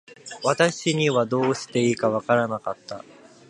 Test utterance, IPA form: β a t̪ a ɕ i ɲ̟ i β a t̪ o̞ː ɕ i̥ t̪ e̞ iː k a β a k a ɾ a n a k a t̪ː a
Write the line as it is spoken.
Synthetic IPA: β a t̪ a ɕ i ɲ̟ i β a d̪ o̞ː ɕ i̥ t̪ e̞ iː k a β a k a ɾ a n a k a t̪ː a